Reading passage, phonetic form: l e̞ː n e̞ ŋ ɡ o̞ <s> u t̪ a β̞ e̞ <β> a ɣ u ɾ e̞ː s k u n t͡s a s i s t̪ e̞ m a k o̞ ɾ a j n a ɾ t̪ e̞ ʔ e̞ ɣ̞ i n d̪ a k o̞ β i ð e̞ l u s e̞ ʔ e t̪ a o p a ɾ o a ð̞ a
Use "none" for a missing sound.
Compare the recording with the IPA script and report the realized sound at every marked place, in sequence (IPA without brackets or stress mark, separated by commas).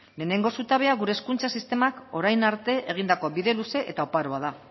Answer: s, none